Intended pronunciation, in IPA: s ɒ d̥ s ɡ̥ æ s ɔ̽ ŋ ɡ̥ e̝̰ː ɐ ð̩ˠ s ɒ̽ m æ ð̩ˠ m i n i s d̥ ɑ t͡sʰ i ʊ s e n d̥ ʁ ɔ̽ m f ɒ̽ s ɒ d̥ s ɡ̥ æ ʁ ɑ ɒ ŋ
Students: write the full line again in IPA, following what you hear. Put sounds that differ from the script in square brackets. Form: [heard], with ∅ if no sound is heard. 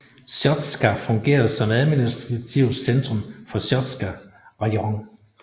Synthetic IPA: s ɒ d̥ s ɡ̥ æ [f] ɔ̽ ŋ ɡ̥ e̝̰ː ɐ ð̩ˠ s ɒ̽ m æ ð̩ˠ m i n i s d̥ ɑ t͡sʰ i ʊ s e n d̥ ʁ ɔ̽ m f ɒ̽ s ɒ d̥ s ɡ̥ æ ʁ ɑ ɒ ŋ

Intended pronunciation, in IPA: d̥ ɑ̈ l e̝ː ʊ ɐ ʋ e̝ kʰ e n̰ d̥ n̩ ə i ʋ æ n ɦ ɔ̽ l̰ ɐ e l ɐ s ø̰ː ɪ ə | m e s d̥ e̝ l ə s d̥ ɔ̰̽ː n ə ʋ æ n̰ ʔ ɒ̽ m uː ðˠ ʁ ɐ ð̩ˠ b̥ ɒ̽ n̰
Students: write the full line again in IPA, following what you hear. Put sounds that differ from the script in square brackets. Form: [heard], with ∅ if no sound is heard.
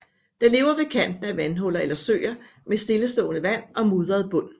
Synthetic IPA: d̥ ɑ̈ l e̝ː ʊ ɐ ʋ e̝ kʰ [æ] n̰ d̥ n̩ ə [æ] ʋ æ n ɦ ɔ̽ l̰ ɐ e l ɐ s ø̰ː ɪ [ɐ] | m e s d̥ e̝ l ə s d̥ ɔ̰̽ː n ə ʋ æ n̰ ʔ ɒ̽ m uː ðˠ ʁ ɐ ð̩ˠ b̥ [ɔ̽] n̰

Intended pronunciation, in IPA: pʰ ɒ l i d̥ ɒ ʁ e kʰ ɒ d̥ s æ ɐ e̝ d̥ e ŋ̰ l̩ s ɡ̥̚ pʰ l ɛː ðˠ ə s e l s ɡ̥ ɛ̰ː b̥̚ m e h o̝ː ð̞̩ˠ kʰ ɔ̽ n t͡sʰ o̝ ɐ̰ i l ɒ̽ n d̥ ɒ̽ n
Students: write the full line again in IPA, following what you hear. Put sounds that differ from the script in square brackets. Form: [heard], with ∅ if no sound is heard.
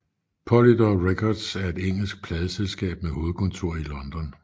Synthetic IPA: pʰ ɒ l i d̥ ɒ ʁ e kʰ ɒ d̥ s æ ɐ e̝ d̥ e ŋ̰ l̩ s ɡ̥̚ pʰ l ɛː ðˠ ə s e l s ɡ̥ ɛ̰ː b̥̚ m e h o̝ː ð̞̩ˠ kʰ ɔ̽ n t͡sʰ o̝ ɐ̰ i l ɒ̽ n d̥ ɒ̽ n

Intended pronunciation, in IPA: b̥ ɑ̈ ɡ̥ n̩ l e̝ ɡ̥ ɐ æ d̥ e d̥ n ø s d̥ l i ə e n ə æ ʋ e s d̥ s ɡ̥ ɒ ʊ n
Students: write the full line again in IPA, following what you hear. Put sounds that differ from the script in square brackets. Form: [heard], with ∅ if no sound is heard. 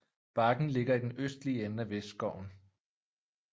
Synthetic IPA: b̥ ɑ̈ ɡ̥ n̩ l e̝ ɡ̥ ɐ [i] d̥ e [∅] n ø s d̥ l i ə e n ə æ ʋ e s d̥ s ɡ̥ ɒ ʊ n

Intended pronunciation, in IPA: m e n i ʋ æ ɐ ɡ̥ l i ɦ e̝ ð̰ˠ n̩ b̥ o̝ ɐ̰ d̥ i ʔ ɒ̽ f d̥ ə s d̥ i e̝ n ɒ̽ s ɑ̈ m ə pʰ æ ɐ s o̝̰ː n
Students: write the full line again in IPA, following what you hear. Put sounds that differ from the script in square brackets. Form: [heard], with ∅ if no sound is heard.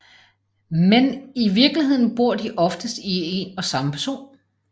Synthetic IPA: m e n i ʋ [i] ɐ ɡ̥ l i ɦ e̝ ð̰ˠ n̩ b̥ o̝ ɐ̰ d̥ i ʔ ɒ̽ f d̥ ə s d̥ i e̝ n ɒ̽ s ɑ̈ m ə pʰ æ ɐ s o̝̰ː n

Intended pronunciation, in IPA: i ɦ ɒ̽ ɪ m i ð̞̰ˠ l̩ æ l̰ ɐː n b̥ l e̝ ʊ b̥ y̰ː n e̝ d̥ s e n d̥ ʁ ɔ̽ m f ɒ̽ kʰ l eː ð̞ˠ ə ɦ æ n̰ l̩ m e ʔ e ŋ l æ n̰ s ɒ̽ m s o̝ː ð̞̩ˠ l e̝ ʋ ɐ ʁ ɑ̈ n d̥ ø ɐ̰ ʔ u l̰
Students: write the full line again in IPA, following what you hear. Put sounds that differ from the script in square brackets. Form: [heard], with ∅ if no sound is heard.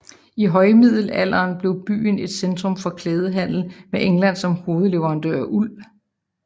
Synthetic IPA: i ɦ ɒ̽ ɪ m i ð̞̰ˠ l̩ æ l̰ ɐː n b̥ l e̝ ʊ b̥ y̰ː n e̝ d̥ s e n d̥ ʁ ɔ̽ m f ɒ̽ kʰ l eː ð̞ˠ ə ɦ æ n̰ l̩ m e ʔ e ŋ l æ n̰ s ɒ̽ m [h] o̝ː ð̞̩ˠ l e̝ ʋ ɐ ʁ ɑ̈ n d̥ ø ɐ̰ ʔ u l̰

